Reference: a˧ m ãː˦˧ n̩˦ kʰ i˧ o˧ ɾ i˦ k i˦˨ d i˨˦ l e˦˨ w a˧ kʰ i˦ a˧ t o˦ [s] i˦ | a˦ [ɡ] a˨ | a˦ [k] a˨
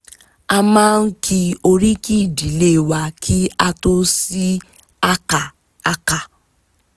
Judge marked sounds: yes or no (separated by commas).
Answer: yes, no, yes